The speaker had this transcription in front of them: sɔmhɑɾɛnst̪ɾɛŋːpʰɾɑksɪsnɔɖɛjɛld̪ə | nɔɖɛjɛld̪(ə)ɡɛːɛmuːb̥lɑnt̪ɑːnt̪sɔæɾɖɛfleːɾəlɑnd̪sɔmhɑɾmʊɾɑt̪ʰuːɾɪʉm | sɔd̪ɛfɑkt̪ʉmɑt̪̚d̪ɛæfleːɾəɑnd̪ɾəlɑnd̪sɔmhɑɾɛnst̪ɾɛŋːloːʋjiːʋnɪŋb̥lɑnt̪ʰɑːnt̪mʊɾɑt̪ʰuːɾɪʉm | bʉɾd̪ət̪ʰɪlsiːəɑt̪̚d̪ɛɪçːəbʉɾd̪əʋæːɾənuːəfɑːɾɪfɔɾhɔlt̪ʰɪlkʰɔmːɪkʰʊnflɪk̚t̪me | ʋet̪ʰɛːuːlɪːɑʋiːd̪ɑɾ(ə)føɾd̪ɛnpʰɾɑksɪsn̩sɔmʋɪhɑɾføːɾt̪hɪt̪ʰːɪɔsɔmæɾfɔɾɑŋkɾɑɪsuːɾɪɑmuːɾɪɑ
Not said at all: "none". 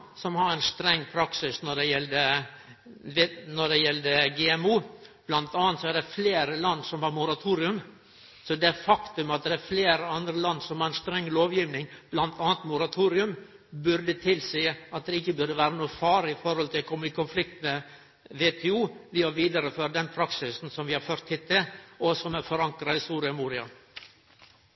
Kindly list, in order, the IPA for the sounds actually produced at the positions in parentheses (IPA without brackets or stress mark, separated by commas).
ə, ə